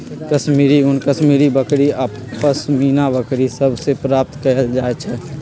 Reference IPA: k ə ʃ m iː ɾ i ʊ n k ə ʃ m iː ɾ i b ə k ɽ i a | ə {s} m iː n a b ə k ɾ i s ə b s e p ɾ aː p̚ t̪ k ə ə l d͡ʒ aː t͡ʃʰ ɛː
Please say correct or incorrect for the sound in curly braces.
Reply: correct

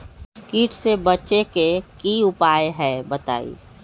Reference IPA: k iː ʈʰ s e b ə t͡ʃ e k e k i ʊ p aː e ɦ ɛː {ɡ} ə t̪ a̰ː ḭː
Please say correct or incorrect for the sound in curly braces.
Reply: incorrect: b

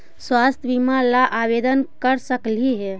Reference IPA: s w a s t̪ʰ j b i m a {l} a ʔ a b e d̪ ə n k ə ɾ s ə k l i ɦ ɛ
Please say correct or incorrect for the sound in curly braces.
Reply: correct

